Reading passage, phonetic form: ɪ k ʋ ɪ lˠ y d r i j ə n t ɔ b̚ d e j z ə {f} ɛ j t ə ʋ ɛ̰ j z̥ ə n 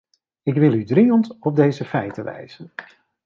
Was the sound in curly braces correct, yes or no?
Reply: yes